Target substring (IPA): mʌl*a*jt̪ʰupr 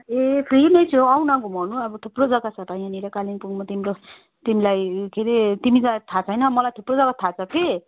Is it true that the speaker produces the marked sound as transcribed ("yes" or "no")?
yes